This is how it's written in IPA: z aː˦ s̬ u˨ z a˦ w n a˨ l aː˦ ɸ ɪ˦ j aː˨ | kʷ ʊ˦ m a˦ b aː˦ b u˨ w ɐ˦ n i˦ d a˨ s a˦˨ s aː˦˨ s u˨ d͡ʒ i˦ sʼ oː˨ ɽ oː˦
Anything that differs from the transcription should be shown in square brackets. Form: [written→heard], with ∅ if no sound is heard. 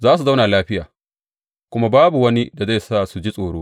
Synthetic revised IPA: z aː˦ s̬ u˨ z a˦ w n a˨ l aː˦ ɸ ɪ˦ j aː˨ | kʷ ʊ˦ m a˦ b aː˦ b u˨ w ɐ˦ n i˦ d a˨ [s→z] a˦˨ s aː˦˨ s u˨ d͡ʒ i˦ sʼ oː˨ ɽ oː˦